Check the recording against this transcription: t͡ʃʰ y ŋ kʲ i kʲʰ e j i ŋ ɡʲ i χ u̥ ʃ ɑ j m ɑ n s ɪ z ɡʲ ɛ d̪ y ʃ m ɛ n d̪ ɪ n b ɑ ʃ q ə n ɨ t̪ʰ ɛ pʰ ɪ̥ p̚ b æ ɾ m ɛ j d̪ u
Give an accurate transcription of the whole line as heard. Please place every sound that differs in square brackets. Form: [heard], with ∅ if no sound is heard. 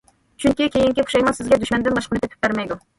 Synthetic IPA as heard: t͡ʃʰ y ŋ kʲ i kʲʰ e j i ŋ [kʲ] i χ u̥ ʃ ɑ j m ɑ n s ɪ z ɡʲ ɛ d̪ y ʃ m ɛ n d̪ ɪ n b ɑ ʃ q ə n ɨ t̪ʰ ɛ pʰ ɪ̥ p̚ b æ ɾ m ɛ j d̪ u